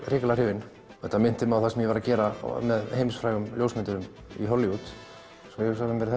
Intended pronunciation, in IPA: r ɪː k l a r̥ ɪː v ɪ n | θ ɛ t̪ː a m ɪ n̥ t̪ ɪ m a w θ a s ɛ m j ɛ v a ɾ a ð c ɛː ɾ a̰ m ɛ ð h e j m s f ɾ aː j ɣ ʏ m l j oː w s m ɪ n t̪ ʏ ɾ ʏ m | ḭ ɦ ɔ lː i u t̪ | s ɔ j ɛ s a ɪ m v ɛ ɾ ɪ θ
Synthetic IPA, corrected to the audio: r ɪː k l a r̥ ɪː v ɪ n | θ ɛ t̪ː a m ɪ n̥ t̪ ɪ m a w θ a s ɛ m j ɛ v a ɾ a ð c ɛː ɾ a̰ m ɛ ð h e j m s f ɾ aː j ɣ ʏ m l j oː w s m ɪ n t̪ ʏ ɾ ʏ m | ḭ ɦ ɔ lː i u t̪ | s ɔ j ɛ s a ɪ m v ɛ ɾ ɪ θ